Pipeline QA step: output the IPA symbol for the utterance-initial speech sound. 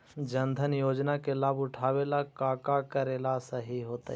d͡ʒ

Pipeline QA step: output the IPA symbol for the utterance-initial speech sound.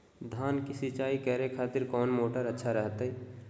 d̪ʱ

